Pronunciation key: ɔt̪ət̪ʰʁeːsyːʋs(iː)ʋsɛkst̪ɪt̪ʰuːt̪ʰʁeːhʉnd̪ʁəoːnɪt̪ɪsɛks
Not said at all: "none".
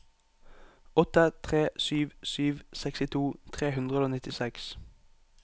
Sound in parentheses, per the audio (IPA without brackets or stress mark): yː